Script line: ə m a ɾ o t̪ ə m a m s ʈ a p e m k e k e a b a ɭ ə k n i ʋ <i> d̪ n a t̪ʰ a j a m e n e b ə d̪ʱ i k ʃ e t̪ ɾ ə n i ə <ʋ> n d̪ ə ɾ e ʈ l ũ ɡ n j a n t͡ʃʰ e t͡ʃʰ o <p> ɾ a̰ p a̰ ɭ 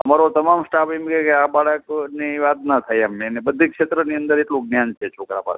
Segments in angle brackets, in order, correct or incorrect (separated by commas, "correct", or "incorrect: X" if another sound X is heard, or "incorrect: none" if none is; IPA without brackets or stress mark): incorrect: a, incorrect: none, incorrect: k